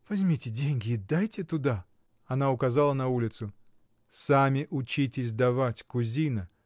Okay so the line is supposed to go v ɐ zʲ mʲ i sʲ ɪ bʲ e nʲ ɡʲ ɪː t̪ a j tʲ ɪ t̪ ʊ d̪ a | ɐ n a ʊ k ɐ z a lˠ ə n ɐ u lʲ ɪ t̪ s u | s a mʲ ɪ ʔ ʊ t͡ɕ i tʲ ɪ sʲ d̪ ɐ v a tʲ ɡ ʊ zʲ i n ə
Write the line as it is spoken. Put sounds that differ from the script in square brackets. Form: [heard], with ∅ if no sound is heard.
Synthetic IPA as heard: v ɐ zʲ mʲ i [tʲ] ɪ [dʲ] e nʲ ɡʲ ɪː [d̪] a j tʲ ɪ t̪ ʊ d̪ a | ɐ n a ʊ k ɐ z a lˠ ə n ɐ u lʲ ɪ t̪ s [ʊ] | s a mʲ ɪ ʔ ʊ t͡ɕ i tʲ ɪ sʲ d̪ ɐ v a tʲ [k] ʊ zʲ i n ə